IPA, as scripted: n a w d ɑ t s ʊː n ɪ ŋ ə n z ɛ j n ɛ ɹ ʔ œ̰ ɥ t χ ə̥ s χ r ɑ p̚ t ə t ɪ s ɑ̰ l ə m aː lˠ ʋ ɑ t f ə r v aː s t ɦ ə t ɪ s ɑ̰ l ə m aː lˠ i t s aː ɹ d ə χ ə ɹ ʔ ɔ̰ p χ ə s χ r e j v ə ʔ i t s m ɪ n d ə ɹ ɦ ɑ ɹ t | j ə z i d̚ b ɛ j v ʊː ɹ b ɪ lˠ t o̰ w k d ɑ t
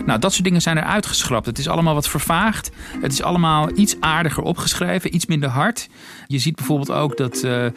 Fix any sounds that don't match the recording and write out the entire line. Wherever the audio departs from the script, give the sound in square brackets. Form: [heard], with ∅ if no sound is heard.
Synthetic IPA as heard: n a w d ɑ t s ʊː [d] ɪ ŋ ə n z ɛ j n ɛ ɹ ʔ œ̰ ɥ t χ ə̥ s χ r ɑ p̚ t ə t ɪ s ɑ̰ l ə m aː lˠ ʋ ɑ t f ə [ɹ] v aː [χ] t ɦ ə t ɪ s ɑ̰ l ə m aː lˠ i t s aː ɹ d ə χ ə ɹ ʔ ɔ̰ p χ ə s χ r e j v ə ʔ i t s m ɪ n d ə ɹ ɦ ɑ ɹ t | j ə z i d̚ b ɛ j v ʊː ɹ b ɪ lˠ t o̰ w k d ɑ t